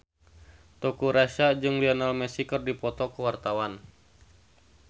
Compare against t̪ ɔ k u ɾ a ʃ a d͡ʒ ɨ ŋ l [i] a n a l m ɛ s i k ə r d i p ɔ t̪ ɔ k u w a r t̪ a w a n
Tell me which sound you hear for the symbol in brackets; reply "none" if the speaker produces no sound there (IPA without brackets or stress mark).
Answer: i